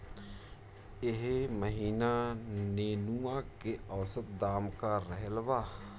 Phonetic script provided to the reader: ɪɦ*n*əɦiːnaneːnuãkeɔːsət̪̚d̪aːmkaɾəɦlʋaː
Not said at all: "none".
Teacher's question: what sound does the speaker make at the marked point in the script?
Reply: m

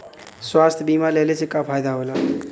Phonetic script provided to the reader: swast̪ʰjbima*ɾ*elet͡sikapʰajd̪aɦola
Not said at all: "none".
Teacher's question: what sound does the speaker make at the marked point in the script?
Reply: l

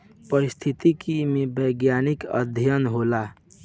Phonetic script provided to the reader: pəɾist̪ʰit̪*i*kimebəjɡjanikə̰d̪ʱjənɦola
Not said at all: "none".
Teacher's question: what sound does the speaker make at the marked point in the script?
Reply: i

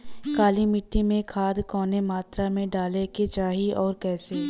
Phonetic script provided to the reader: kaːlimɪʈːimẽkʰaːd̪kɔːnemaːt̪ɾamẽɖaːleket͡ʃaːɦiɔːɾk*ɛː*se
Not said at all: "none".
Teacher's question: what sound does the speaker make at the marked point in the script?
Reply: ɛː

